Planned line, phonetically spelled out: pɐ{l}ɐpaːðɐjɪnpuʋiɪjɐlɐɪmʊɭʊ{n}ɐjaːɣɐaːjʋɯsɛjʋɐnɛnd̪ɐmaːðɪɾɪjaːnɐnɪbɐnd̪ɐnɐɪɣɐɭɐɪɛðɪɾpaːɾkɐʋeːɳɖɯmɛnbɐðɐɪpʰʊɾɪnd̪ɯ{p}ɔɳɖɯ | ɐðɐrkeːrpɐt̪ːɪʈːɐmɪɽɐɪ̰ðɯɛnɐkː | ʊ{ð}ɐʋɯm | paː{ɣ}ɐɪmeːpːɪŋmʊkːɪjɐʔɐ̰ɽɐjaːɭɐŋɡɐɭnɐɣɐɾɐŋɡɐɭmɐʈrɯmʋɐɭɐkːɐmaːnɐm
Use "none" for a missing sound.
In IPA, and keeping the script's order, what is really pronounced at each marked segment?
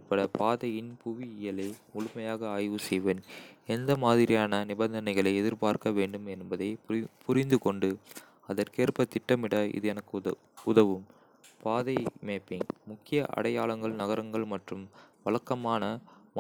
ɽ, m, k, ð, ð

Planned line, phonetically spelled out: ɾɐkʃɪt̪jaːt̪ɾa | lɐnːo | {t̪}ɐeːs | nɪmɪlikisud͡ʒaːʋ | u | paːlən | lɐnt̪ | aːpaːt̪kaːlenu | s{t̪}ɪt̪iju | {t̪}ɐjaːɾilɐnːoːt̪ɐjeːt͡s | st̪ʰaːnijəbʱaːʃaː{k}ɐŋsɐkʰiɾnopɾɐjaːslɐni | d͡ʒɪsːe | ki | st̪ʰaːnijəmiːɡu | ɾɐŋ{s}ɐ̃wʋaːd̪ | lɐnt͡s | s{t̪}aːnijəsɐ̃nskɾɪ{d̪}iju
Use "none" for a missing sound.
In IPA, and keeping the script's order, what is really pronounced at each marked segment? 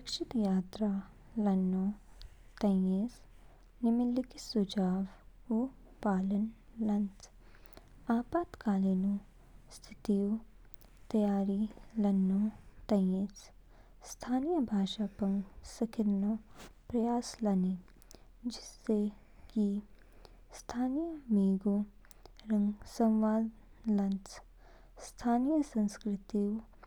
t̪, t̪ʰ, t̪, p, s, t̪ʰ, t̪

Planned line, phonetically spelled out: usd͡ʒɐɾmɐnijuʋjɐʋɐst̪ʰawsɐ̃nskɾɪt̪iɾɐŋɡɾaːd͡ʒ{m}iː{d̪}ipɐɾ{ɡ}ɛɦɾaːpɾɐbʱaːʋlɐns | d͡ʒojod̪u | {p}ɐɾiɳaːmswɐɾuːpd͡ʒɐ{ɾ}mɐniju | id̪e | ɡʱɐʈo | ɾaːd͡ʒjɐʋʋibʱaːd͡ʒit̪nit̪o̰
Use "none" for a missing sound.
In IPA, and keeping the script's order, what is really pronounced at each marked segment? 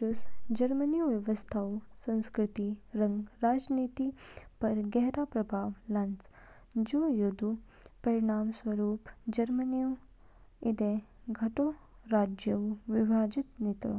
n, t̪, ɡ, p, ɾ

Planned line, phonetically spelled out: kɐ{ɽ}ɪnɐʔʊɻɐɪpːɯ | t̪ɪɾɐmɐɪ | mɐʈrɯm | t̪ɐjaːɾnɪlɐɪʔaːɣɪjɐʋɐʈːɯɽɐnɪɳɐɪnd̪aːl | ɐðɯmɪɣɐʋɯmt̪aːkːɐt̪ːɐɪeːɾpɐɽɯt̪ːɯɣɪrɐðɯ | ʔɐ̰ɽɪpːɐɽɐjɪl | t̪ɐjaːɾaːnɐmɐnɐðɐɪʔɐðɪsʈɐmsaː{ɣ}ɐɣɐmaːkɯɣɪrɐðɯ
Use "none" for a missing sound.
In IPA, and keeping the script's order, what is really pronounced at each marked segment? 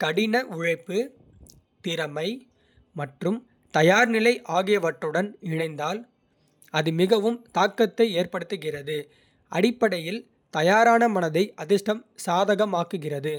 ɽ, ð

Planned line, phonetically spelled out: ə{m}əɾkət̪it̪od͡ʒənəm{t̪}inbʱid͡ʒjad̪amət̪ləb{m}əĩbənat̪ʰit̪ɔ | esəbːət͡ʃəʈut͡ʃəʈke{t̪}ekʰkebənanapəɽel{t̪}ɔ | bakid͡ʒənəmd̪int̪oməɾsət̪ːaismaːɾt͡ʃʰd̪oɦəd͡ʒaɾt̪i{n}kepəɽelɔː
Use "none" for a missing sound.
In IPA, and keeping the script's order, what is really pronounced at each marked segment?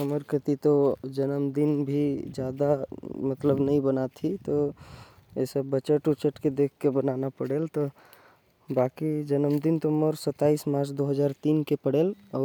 m, d̪, n, d̪, t̪, n

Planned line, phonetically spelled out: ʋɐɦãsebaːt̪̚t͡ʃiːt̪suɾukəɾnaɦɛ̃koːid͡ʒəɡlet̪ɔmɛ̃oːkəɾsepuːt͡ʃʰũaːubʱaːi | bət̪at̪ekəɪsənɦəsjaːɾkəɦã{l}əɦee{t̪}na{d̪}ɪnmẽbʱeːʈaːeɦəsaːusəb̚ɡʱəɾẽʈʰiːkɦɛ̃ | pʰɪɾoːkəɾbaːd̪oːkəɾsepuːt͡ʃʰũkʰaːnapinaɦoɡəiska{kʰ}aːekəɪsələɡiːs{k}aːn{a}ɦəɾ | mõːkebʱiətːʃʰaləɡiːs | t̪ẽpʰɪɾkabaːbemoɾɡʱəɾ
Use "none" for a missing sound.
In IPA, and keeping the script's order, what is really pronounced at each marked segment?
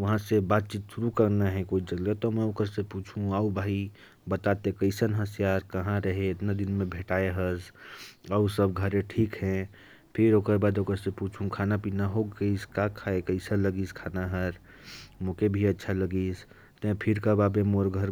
ɾ, t̪, d̪, kʰ, kʰ, a

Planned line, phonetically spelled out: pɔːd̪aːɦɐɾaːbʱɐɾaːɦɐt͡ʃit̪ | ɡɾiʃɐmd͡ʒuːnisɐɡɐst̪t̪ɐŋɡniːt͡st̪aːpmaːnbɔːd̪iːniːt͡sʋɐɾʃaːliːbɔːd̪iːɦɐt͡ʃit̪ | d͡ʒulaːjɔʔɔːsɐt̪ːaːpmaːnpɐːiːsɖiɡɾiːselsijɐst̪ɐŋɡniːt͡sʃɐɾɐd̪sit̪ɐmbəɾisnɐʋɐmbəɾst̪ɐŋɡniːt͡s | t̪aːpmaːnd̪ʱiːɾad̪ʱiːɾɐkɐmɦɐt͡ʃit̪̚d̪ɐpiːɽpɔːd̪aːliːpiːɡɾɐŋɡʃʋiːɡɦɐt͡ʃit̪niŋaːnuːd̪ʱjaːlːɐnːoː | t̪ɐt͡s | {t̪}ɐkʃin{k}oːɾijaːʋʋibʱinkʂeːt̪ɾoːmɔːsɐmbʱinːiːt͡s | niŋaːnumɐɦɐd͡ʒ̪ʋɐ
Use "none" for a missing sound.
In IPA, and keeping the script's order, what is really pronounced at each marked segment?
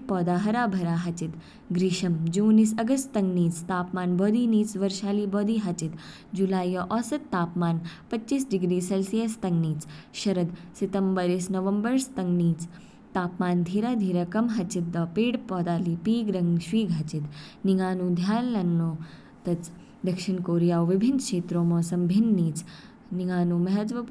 d̪, k

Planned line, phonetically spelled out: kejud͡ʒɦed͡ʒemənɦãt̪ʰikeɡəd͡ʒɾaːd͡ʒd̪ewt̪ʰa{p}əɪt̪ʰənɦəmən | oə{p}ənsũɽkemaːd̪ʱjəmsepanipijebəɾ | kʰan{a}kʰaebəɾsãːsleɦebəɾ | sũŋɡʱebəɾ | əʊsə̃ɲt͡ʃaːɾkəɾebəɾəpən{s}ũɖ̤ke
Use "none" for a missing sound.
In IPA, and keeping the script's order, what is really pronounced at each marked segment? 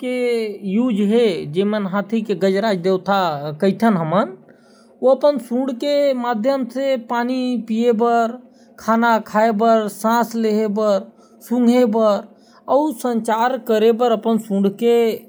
k, p, a, s

